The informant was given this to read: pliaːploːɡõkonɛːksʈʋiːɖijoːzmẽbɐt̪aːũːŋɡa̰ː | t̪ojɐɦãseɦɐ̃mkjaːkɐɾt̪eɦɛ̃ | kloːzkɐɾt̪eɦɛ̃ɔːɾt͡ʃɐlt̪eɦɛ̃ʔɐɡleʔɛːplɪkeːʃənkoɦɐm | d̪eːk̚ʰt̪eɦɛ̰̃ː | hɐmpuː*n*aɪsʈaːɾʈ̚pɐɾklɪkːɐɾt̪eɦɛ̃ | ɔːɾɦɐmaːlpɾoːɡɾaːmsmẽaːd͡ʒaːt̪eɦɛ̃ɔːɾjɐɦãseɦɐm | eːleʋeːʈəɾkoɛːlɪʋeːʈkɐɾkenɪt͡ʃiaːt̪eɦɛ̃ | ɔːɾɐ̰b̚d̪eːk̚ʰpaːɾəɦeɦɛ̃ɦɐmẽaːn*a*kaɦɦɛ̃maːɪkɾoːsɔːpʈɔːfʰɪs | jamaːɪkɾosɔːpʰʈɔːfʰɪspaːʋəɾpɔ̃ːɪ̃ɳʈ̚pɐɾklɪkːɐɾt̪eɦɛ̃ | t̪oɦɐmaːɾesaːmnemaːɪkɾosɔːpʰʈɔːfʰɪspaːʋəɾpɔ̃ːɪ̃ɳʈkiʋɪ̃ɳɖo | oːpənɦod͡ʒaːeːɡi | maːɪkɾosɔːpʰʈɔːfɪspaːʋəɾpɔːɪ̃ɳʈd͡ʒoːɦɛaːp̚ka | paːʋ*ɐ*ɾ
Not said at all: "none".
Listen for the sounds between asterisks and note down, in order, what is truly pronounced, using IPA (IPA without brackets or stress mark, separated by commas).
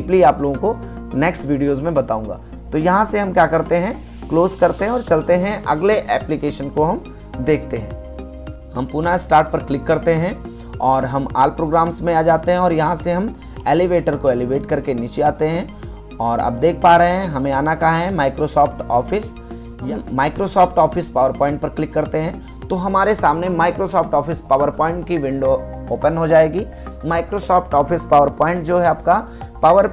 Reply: n, a, ə